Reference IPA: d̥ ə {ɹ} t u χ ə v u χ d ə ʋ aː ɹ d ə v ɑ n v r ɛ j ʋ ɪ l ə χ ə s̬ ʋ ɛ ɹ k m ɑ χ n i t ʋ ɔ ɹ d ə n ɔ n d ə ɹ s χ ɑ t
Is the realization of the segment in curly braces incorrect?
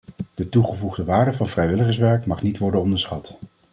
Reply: yes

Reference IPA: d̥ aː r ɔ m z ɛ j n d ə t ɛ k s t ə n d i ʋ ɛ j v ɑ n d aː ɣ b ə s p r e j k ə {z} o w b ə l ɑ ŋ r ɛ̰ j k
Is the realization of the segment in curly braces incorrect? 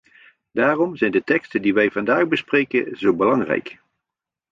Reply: no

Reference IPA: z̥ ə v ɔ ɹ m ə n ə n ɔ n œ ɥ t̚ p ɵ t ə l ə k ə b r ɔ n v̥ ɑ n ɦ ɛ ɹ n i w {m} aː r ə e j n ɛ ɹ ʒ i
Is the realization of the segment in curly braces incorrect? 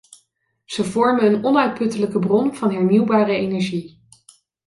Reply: yes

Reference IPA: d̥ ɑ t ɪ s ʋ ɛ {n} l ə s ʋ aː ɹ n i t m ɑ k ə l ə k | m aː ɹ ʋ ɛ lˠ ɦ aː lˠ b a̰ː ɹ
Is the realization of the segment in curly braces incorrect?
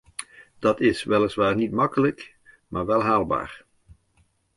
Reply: yes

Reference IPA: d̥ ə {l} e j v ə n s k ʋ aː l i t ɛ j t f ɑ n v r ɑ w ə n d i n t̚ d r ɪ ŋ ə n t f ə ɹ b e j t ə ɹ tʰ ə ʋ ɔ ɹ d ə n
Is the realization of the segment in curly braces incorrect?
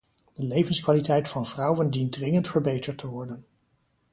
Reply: no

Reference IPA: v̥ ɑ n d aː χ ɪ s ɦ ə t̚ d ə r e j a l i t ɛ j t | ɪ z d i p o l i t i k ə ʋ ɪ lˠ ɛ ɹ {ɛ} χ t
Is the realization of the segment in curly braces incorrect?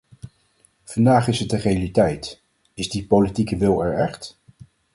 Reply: no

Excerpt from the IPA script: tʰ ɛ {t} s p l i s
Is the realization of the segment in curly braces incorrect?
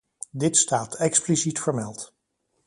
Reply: yes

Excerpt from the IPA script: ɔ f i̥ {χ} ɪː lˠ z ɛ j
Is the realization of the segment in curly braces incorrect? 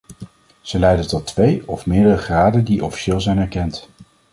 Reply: yes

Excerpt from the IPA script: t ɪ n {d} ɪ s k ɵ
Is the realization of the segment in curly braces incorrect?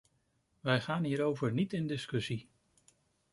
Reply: no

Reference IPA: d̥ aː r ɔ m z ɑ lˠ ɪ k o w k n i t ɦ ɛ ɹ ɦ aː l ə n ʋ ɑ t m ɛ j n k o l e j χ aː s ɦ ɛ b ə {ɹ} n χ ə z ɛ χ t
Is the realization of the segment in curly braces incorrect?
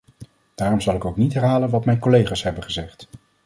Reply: yes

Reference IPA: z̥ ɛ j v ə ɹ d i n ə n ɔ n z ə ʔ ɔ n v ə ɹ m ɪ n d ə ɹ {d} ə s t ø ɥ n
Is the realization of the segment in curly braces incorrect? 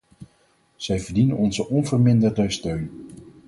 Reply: no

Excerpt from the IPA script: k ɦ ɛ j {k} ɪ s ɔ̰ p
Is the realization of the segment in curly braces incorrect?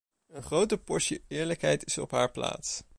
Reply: yes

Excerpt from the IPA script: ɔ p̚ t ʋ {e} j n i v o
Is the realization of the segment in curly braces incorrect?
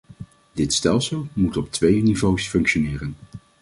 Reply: no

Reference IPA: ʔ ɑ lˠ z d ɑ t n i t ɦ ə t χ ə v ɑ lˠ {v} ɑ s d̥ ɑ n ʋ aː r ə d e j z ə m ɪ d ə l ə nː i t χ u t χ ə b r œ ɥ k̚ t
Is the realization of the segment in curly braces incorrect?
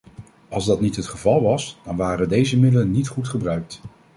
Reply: yes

